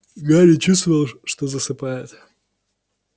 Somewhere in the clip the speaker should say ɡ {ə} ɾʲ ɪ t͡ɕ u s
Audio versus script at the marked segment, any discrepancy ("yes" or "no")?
yes